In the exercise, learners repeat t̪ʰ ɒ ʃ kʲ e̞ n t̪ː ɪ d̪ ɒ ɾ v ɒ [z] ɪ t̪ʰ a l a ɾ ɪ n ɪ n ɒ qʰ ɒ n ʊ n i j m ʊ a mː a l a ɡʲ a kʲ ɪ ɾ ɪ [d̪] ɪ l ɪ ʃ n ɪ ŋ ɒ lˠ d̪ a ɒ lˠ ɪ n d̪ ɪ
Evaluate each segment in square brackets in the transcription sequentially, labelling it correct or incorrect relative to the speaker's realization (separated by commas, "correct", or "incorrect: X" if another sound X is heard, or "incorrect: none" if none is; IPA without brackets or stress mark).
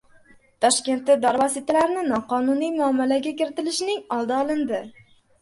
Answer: incorrect: s, incorrect: t̪